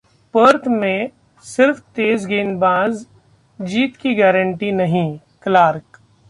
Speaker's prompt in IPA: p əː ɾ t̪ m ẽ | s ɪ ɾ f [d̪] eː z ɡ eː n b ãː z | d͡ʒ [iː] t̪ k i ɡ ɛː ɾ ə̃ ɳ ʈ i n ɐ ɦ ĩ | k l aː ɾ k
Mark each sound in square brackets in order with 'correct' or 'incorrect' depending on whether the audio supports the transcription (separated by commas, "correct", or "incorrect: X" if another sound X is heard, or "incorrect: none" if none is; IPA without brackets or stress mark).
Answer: incorrect: t̪, correct